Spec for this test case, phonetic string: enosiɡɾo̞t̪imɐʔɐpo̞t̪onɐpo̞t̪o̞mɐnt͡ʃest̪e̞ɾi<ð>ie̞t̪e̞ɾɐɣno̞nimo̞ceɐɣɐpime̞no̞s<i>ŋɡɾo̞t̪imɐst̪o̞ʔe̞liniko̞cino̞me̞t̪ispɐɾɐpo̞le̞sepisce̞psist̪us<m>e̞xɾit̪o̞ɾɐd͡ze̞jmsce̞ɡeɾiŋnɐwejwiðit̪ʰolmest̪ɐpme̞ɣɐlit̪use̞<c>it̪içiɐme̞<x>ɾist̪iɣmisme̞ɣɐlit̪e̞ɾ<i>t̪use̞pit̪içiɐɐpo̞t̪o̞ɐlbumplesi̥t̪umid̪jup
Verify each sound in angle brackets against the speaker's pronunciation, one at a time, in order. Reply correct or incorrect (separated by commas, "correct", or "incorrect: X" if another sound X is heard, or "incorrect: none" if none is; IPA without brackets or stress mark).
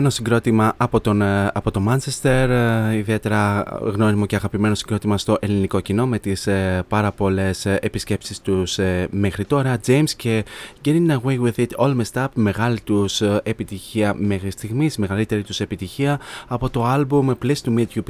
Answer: correct, correct, correct, incorrect: p, correct, correct